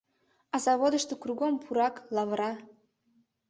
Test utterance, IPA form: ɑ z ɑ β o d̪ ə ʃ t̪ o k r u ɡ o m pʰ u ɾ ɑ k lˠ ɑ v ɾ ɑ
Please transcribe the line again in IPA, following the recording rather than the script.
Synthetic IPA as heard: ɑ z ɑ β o d̪ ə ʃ t̪ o k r u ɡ o m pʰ u ɾ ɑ k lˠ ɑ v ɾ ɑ